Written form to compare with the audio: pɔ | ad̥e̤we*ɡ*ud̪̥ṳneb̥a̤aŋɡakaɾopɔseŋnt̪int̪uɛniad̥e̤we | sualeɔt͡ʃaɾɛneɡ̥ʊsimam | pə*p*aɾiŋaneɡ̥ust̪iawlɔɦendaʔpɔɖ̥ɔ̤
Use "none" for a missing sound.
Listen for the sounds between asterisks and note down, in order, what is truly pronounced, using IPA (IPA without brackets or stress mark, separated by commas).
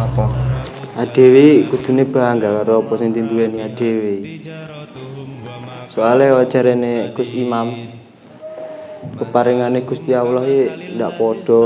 k, p